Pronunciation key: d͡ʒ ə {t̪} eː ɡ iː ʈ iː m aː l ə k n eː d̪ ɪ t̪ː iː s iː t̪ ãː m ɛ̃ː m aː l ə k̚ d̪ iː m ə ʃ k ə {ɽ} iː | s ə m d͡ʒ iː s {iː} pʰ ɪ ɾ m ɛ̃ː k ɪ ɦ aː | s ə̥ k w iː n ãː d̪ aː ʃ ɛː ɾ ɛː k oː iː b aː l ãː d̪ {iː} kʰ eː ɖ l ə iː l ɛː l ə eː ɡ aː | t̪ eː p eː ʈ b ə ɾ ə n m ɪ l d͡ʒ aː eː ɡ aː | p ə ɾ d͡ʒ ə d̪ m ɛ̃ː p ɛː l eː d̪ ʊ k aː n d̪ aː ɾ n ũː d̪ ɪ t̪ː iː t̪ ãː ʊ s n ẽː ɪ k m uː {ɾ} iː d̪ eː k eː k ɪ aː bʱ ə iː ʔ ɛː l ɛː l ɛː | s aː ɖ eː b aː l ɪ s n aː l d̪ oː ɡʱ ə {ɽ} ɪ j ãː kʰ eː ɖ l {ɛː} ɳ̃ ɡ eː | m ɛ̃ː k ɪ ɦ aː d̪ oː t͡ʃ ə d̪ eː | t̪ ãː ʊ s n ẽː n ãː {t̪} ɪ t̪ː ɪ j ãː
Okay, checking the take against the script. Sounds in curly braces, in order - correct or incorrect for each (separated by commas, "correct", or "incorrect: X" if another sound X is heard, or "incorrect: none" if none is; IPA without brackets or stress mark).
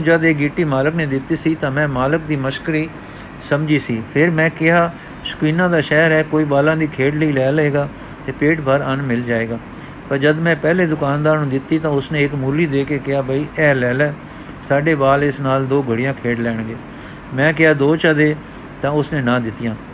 incorrect: d̪, incorrect: ɾ, correct, correct, incorrect: l, correct, correct, incorrect: d̪